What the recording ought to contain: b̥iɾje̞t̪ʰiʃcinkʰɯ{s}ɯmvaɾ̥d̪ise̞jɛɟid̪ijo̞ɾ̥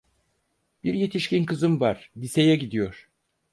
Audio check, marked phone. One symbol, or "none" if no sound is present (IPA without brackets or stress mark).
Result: z